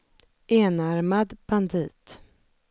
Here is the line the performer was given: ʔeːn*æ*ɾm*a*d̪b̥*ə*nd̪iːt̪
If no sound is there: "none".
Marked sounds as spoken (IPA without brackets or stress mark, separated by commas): a, a, a